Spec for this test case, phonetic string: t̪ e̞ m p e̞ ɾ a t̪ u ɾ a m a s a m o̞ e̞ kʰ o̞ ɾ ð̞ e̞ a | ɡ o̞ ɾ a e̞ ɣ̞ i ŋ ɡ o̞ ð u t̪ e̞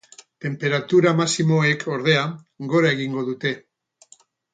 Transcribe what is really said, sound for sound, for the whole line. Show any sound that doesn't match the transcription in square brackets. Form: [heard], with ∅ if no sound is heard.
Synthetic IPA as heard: t̪ e̞ m p e̞ ɾ a t̪ u ɾ a m a s [i] m o̞ e̞ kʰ o̞ ɾ ð̞ e̞ a | ɡ o̞ ɾ a e̞ ɣ̞ i ŋ ɡ o̞ ð u t̪ e̞